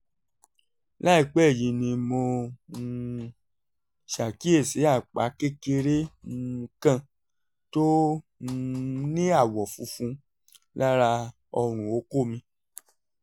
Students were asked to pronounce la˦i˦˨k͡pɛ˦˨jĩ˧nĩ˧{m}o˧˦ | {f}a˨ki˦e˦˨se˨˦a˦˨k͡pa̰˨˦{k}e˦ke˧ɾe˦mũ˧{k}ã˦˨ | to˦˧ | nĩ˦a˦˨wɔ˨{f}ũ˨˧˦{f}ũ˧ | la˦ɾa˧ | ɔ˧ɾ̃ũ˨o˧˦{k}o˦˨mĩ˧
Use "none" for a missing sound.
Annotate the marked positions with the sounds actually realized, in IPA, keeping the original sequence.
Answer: m, ʃ, k, k, f, f, k

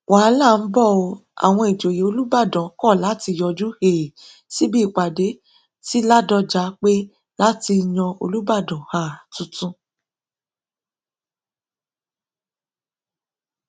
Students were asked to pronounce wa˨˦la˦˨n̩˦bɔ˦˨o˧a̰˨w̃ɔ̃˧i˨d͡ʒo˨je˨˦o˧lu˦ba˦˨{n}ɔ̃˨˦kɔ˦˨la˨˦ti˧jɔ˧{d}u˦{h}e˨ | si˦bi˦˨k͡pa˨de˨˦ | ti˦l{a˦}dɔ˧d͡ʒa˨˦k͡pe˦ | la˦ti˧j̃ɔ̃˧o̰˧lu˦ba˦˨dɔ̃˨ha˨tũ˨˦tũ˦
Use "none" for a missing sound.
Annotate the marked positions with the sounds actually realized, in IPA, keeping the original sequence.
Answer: d, d͡ʒ, h, a˦

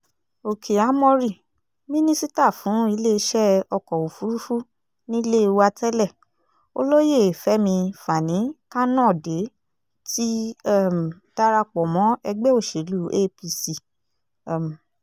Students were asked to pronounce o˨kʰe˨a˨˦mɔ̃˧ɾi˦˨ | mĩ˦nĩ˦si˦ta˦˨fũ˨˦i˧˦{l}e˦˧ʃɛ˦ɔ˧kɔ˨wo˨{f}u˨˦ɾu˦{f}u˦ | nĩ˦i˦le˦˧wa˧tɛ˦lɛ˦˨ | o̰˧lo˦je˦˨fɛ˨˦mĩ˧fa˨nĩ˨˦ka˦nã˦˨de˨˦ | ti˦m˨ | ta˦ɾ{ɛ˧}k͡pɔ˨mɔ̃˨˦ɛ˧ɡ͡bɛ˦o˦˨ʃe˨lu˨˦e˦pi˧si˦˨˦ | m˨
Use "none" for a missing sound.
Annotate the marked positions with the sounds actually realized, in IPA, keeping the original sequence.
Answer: l, f, f, a˧

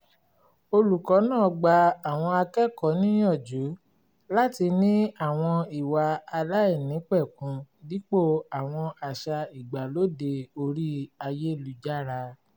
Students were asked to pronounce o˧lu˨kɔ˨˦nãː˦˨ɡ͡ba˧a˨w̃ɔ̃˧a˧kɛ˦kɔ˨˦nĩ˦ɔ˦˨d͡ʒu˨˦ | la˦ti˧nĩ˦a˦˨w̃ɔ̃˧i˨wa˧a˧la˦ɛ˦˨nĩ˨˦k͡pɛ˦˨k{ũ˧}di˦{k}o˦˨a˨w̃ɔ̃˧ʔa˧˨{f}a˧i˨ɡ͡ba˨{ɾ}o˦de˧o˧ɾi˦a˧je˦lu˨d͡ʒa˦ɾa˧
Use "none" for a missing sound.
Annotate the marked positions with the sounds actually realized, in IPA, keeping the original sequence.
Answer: ũ˧, k͡p, ʃ, l

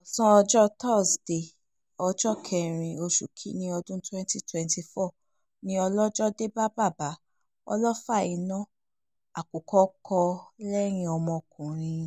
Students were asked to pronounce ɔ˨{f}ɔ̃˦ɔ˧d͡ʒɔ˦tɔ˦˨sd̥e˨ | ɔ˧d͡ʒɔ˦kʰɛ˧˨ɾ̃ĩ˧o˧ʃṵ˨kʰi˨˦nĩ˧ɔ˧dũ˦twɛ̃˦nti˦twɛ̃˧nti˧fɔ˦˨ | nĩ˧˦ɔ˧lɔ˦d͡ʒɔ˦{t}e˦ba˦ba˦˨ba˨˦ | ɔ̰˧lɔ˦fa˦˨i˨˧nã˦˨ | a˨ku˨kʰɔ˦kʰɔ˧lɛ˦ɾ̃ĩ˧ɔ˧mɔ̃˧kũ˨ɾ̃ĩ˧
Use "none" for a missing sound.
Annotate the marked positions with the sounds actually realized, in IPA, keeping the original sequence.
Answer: s, d

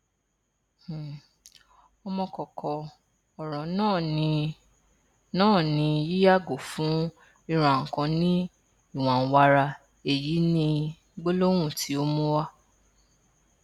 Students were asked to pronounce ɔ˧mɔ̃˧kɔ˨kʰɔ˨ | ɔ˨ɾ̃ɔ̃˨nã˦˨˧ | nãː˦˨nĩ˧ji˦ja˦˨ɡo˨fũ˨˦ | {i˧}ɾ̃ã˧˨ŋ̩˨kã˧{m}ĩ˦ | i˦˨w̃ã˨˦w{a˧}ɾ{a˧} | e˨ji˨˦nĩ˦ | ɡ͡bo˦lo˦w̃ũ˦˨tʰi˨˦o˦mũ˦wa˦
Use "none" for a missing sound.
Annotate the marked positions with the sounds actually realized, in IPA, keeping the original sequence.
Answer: i˧, n, a˧, a˧

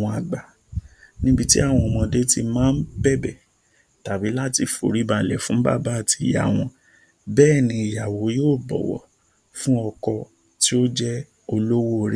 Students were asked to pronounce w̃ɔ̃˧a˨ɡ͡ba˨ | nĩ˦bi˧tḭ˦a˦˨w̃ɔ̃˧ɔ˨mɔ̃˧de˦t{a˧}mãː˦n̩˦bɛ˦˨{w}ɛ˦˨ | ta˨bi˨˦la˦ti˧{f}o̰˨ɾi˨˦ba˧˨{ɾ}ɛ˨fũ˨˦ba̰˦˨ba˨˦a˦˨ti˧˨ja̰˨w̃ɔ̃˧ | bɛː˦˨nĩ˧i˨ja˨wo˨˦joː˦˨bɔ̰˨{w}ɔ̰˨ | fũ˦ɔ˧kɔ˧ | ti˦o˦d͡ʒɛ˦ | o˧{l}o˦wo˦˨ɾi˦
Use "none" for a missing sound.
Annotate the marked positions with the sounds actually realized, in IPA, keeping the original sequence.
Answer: i˧, b, f, l, w, l

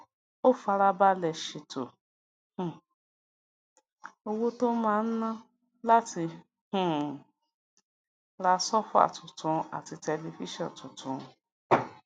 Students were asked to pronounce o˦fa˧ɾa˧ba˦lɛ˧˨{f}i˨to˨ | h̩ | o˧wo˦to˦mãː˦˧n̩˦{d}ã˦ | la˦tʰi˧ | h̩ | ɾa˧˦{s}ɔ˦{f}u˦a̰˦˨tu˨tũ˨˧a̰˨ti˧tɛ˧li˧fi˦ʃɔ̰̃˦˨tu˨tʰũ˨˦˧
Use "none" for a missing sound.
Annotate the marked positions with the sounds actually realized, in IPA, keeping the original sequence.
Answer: ʃ, n, s, f

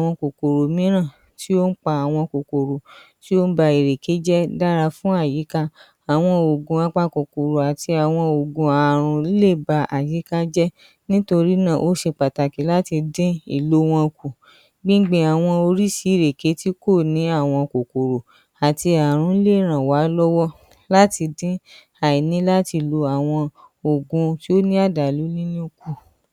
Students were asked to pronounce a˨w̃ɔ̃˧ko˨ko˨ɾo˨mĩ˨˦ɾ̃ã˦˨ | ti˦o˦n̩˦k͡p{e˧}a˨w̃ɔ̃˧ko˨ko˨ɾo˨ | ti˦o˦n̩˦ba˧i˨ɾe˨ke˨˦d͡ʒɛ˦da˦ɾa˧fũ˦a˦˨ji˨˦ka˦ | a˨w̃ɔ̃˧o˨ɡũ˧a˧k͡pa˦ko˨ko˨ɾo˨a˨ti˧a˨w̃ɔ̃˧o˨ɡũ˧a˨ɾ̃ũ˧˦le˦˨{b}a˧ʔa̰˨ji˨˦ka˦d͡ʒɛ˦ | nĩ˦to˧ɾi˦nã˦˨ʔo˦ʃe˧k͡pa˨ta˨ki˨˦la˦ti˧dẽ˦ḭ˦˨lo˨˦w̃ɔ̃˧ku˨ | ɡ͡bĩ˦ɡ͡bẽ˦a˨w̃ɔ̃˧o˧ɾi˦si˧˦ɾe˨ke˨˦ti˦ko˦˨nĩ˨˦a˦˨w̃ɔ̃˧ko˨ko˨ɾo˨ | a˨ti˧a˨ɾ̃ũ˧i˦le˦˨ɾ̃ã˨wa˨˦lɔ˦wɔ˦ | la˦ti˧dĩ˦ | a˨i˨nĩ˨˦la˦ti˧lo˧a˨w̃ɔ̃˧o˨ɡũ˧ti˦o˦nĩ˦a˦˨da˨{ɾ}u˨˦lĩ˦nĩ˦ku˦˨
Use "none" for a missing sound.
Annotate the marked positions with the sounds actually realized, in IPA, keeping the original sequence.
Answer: a˧, b, l

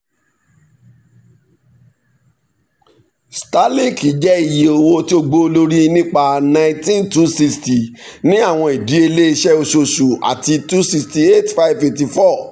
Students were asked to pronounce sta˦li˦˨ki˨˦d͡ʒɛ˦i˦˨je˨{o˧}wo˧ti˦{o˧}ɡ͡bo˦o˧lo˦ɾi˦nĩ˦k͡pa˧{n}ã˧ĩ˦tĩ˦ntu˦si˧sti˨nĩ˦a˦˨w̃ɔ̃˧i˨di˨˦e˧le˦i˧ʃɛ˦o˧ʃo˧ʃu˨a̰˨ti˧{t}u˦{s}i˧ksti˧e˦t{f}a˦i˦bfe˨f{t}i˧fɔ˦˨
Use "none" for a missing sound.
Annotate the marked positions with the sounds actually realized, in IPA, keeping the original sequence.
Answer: o˧, o˧, n, t, s, f, t

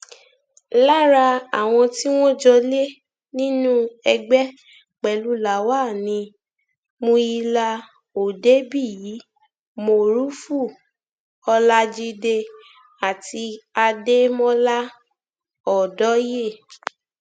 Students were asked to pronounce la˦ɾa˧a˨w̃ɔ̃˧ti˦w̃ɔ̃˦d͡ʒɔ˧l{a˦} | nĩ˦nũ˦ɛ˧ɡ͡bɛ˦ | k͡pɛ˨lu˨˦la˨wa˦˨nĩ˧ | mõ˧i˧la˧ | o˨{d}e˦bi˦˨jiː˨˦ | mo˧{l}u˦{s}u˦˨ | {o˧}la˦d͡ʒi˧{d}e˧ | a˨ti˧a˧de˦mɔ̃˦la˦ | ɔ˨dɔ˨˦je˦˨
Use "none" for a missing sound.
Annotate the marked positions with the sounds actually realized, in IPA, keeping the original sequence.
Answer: e˦, d, ɾ, f, ɔ˧, d

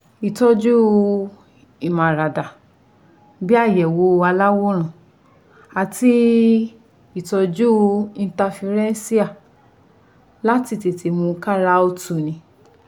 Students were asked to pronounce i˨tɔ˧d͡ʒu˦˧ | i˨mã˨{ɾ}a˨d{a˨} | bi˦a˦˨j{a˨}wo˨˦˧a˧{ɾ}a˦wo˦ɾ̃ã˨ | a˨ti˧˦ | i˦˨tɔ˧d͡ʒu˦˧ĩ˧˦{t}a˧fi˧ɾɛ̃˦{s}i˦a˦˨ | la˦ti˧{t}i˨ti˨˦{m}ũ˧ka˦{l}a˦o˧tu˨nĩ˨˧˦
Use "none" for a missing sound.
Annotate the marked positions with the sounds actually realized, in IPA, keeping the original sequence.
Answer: ɾ, a˨, ɛ˨, l, t, s, t, m, ɾ

